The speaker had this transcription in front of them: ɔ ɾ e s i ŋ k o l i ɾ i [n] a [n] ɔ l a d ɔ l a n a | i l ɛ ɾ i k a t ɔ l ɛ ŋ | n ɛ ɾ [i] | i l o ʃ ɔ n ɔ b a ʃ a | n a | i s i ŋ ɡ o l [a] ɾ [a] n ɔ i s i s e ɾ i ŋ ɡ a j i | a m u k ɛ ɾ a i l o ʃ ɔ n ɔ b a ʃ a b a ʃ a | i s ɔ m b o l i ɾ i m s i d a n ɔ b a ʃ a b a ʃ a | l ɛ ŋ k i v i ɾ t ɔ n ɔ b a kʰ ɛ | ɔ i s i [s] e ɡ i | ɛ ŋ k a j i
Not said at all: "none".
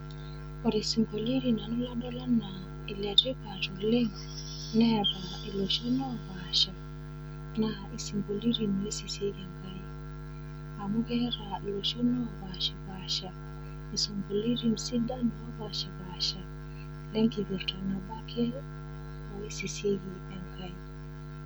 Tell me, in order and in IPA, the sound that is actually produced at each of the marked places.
n, n, a, i, i, s

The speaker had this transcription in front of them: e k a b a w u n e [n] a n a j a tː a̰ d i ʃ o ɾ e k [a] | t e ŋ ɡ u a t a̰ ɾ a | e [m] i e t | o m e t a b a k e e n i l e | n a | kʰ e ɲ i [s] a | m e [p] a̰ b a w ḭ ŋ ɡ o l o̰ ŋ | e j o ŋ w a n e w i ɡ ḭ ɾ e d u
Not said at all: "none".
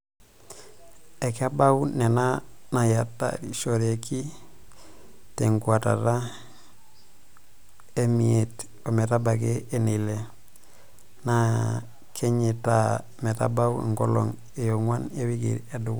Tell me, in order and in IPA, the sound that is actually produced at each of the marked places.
n, i, m, t, t

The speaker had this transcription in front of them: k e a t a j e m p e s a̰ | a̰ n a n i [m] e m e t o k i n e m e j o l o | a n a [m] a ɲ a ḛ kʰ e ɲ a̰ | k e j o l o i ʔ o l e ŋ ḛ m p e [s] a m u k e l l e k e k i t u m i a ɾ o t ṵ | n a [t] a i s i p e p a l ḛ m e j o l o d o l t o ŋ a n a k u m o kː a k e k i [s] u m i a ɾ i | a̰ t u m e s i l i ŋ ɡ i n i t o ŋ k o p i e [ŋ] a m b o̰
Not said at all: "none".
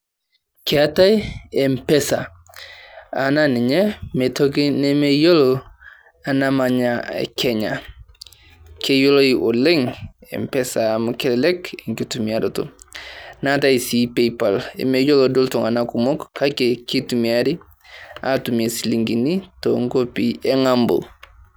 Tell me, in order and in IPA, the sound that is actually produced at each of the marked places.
ɲ, m, s, t, t, ŋ

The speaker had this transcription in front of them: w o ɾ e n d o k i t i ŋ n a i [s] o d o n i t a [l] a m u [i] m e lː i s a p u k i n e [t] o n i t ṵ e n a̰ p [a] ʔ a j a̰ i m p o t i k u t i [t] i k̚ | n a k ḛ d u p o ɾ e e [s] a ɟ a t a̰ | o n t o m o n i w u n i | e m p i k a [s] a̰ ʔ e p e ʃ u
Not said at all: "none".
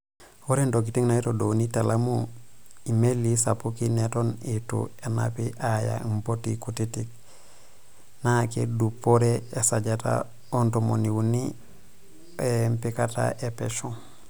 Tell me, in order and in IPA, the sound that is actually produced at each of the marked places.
t, l, i, t, i, t, s, t

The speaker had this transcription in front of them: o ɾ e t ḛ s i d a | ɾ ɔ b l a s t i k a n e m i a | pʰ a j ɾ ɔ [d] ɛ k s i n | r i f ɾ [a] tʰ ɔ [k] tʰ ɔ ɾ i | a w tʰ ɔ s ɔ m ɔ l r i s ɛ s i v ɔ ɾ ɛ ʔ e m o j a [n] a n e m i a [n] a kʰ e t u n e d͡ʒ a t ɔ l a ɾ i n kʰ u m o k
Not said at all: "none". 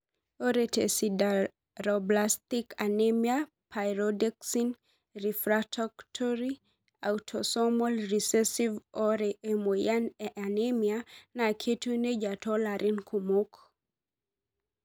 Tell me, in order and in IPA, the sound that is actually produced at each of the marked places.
d, a, k, n, n

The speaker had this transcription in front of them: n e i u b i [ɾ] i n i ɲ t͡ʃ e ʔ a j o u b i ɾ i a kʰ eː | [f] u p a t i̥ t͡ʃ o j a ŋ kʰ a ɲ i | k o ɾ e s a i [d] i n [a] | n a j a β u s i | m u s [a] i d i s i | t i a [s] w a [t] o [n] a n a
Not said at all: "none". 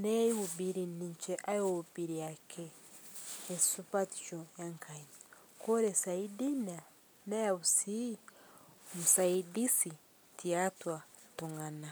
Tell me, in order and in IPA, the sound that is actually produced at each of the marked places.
ɾ, s, d, a, a, t, t, ŋ

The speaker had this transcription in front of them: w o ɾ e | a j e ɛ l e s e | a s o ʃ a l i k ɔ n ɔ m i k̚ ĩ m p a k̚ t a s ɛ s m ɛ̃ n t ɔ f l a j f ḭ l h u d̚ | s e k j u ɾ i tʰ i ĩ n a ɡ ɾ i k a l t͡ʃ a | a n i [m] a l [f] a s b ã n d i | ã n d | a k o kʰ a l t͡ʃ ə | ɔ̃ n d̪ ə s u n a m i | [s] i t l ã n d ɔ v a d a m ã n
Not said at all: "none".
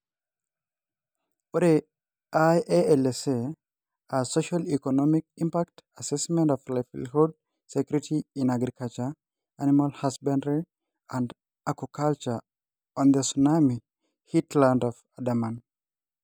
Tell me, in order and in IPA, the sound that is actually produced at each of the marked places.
m, h, h

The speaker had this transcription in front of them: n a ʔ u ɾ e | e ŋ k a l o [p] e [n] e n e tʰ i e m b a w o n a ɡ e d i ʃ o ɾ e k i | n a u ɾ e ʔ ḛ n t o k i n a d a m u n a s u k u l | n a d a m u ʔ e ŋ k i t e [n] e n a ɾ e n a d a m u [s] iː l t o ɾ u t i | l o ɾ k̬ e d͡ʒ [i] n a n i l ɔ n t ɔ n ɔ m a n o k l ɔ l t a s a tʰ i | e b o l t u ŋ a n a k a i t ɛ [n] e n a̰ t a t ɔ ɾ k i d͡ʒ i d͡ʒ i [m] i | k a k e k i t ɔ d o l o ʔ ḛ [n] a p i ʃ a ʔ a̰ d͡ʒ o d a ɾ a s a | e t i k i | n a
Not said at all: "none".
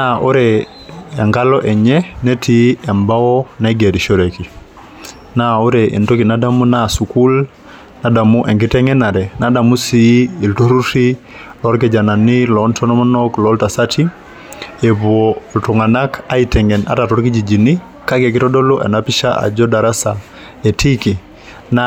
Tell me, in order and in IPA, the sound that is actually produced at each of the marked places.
ʔ, ɲ, ŋ, s, a, ŋ, n, n

